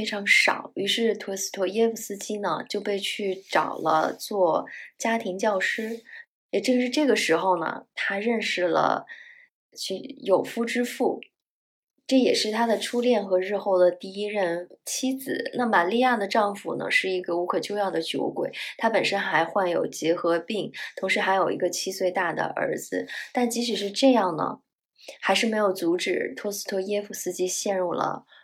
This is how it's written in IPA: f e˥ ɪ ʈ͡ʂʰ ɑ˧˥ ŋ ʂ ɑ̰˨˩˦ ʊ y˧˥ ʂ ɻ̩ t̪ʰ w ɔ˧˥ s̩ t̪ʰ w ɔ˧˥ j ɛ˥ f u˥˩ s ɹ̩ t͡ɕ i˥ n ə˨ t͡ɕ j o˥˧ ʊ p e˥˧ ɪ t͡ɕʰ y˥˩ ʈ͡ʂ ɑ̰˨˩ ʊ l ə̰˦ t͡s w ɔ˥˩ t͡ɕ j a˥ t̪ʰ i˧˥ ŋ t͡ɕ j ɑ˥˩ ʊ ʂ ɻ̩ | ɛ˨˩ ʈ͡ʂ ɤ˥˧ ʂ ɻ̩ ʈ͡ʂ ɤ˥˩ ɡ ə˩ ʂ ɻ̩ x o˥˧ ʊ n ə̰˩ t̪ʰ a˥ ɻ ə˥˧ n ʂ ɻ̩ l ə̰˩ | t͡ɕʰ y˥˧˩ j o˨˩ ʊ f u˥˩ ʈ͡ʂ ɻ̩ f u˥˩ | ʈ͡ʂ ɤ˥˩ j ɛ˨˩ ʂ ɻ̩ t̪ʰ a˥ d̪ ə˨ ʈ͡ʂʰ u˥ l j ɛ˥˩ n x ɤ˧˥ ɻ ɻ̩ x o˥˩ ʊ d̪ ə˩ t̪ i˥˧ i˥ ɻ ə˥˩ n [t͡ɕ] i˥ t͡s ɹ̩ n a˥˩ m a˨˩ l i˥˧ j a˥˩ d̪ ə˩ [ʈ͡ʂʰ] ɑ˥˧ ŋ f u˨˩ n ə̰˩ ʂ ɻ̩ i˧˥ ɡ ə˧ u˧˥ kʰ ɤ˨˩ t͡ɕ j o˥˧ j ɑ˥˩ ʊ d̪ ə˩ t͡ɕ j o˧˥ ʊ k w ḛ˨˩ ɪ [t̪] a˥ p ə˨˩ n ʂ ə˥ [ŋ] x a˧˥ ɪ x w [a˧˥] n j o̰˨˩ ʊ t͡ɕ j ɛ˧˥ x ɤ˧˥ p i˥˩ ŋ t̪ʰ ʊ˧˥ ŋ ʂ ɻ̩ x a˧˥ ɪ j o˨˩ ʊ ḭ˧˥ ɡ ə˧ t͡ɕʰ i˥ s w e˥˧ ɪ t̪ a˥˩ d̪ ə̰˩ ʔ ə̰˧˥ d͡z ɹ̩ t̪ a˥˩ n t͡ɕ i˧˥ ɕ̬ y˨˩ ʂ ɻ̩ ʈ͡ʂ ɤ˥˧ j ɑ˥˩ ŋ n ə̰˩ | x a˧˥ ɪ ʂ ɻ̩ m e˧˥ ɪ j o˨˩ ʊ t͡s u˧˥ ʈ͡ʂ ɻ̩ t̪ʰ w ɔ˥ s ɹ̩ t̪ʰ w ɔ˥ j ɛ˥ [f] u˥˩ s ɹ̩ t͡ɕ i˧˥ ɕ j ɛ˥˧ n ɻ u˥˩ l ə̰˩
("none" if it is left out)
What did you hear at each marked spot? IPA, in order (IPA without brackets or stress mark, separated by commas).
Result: t͡ɕʰ, ʈ͡ʂ, t̪ʰ, n, a˥˩, f